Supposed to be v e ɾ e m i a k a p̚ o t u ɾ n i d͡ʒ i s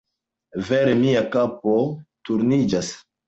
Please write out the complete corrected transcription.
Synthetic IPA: v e ɾ e m i a k a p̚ o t u ɾ n i d͡ʒ a s